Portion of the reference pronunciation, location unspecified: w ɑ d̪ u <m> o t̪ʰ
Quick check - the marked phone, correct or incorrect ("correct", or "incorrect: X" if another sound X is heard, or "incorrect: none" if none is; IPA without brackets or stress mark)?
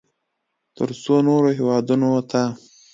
incorrect: n